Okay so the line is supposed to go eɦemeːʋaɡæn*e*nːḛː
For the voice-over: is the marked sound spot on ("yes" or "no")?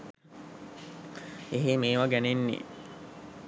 yes